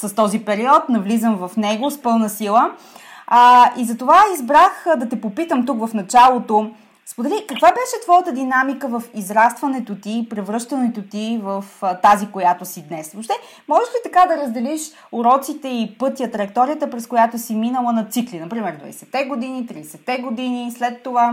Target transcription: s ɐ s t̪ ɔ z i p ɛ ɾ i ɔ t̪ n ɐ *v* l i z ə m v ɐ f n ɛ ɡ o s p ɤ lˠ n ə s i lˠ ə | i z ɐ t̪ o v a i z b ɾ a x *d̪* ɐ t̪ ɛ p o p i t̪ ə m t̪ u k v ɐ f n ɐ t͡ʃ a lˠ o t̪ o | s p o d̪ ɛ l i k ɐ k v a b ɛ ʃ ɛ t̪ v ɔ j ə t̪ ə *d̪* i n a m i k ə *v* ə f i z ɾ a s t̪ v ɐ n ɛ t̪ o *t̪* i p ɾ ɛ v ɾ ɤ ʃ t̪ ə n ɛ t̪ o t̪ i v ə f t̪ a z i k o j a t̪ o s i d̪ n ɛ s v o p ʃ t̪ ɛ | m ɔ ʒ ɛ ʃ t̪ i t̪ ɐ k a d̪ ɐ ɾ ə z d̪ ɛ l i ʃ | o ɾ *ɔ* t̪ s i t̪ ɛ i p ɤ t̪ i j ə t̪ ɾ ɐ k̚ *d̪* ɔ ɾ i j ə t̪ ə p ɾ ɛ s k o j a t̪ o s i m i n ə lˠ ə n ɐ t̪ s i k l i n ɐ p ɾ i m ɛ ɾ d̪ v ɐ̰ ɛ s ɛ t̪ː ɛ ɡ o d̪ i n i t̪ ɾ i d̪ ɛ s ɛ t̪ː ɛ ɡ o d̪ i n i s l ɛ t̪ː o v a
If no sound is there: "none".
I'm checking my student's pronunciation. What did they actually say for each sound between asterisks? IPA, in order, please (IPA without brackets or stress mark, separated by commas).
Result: v, d̪, d̪, v, t̪, ɔ, t̪